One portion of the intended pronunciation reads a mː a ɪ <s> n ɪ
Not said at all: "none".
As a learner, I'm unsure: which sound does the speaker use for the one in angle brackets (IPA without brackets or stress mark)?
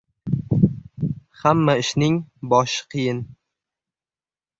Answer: ʃ